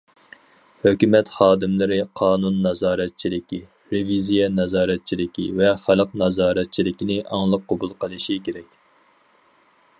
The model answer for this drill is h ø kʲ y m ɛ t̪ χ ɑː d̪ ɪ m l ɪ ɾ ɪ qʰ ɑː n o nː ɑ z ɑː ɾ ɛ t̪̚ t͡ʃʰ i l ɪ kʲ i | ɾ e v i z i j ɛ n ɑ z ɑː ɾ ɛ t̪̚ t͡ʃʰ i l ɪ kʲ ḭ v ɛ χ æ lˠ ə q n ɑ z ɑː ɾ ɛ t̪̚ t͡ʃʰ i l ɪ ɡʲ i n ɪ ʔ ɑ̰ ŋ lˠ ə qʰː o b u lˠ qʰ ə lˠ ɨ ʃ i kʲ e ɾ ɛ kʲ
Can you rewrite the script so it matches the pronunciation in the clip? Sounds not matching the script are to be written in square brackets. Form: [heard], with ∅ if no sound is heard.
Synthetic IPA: h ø kʲ y m ɛ t̪ χ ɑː d̪ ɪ m l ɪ ɾ ɪ qʰ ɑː n [u] nː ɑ z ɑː ɾ ɛ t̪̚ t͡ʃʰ i l ɪ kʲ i | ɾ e v i z i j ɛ n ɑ z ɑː ɾ ɛ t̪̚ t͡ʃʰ i l ɪ kʲ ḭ v ɛ χ æ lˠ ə q n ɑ z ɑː ɾ ɛ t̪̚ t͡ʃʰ i l ɪ [kʲ] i n ɪ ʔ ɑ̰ ŋ lˠ ə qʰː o b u lˠ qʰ ə lˠ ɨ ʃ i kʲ e ɾ ɛ kʲ